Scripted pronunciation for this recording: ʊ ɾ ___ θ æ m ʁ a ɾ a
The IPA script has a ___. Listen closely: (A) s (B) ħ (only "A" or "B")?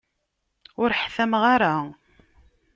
B